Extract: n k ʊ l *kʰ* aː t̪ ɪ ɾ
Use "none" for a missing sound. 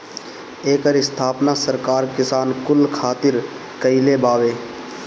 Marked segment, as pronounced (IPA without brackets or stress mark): kʰ